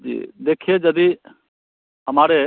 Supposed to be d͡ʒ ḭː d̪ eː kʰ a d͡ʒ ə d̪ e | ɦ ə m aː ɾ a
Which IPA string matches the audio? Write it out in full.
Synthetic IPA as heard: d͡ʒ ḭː d̪ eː kʰ e d͡ʒ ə d̪ i | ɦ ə m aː ɾ e